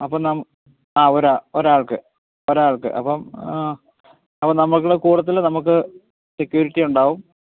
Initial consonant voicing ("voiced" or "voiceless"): voiceless